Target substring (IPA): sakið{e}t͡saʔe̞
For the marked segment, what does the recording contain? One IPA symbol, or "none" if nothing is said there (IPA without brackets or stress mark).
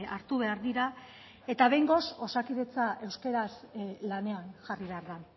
e